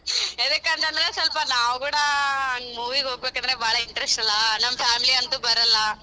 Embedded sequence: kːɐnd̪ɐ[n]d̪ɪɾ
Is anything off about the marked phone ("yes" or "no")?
no